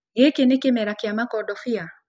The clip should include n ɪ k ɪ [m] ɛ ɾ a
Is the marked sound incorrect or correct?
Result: correct